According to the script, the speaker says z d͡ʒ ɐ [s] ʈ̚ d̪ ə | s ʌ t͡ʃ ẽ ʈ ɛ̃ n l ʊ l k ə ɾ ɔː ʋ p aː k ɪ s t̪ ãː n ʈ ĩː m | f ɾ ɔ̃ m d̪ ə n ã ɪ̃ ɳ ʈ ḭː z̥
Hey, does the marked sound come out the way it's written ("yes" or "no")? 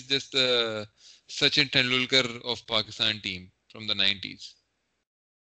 yes